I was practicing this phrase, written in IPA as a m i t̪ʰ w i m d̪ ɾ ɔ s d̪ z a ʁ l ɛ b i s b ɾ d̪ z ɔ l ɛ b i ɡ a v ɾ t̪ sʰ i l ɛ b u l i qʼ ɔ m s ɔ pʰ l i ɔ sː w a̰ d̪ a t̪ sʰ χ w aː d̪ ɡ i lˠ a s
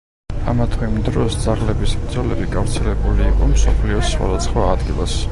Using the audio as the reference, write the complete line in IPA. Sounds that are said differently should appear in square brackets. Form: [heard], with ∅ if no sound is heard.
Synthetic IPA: a m [a] t̪ʰ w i m d̪ ɾ ɔ s d̪ z a ʁ l ɛ b i s b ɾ d̪ z ɔ l ɛ b i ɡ a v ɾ t̪ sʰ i l ɛ b u l [iː] qʼ ɔ m s ɔ pʰ l i ɔ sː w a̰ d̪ a t̪ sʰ χ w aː d̪ ɡ i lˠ a s